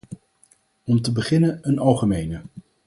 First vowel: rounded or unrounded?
rounded